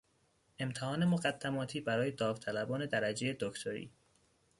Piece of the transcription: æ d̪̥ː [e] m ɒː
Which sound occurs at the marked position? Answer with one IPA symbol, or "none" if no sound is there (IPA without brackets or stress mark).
æ